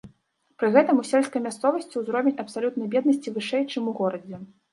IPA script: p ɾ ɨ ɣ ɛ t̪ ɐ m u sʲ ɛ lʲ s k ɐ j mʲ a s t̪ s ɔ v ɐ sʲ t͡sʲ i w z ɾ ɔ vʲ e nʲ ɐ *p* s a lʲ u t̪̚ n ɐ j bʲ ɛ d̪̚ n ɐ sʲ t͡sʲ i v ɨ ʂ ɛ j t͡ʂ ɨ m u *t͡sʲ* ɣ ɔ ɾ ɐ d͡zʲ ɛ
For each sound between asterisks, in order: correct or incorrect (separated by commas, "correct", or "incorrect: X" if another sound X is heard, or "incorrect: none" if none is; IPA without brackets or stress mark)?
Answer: correct, incorrect: none